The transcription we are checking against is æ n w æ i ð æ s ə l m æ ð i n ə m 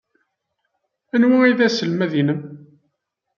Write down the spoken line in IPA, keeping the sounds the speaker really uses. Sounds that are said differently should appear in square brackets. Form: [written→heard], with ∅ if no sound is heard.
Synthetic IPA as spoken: æ n w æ i ð æ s ə l m æ ð i n ə m